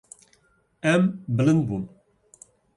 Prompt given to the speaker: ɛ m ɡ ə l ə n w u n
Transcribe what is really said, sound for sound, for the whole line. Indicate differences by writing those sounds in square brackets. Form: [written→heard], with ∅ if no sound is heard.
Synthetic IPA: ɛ m [ɡ→b] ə l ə n [w→b] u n